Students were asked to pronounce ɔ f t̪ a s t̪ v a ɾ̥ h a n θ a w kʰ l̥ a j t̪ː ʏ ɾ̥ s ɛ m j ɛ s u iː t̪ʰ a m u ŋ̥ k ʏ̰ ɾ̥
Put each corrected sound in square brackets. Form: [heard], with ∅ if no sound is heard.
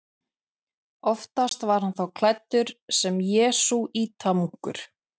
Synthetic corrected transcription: ɔ f t̪ a s t̪ v a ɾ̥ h a n θ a w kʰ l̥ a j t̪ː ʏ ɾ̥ s ɛ m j [ɛː] s u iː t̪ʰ a m u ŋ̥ k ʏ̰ ɾ̥